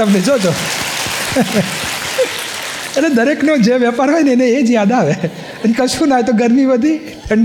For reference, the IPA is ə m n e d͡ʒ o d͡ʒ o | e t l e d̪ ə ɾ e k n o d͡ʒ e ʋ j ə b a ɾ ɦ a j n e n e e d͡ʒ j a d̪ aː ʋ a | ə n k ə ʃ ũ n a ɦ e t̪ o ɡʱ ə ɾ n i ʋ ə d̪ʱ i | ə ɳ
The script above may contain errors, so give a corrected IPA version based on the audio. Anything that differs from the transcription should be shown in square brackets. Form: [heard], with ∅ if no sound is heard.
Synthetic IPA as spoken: ə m n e d͡ʒ o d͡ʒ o | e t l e d̪ ə ɾ e k n o d͡ʒ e ʋ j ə [p] a ɾ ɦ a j n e n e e d͡ʒ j a d̪ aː ʋ [e] | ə n k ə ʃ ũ n a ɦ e t̪ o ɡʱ ə ɾ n i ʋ ə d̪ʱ i | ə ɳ